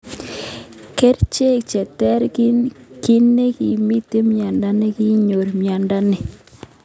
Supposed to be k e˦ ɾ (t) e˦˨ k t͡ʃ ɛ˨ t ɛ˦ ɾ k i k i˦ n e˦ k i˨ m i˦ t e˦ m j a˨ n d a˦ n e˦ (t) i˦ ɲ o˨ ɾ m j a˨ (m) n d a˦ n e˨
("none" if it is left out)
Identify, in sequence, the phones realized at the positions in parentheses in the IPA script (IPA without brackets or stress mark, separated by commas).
t͡ʃ, k, none